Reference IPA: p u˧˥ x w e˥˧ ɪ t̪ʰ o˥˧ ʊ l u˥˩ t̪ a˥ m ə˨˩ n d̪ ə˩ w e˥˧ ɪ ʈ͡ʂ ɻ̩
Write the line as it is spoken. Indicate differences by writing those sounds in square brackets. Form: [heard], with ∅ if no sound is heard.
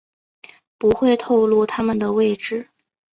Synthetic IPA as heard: p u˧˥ x w e˥˧ ɪ t̪ʰ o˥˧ ʊ l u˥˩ [t̪ʰ] a˥ m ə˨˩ n d̪ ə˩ w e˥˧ ɪ ʈ͡ʂ ɻ̩